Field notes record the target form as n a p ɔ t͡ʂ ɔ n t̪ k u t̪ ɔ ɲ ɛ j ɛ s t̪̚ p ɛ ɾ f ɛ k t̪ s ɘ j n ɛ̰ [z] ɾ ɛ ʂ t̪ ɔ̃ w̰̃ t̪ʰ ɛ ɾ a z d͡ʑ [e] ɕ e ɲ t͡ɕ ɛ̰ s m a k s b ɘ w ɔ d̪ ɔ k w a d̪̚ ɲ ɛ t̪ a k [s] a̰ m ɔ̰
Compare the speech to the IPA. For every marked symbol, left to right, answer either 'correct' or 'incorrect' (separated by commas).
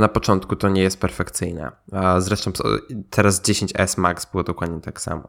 correct, correct, correct